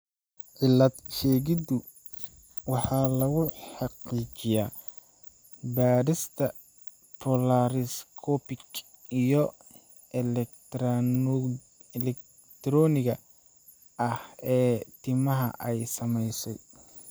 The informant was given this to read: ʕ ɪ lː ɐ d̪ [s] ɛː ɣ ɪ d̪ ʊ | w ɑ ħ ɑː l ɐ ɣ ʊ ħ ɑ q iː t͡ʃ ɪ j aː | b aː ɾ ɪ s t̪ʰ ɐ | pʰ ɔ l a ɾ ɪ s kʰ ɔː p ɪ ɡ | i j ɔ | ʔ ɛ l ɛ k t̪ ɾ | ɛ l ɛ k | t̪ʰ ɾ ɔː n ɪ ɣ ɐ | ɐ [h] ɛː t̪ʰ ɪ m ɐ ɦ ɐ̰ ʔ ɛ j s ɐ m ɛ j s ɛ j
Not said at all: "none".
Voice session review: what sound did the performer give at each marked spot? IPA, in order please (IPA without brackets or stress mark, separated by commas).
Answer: ʃ, h